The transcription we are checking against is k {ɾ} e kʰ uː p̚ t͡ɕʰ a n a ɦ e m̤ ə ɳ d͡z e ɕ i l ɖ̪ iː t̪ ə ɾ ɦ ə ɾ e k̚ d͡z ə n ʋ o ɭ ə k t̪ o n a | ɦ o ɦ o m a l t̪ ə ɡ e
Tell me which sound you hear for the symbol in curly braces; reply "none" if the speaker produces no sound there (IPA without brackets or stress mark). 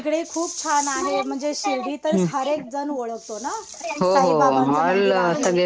ɽ